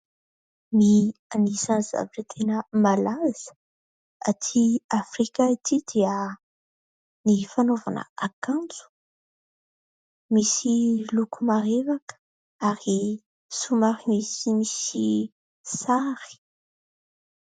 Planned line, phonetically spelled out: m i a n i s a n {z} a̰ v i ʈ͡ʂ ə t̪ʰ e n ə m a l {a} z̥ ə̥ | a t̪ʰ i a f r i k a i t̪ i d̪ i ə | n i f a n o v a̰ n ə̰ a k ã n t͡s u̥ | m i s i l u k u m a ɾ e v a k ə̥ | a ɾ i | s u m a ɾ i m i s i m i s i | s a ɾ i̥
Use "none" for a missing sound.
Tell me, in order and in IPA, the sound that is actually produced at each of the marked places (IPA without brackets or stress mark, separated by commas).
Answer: z, a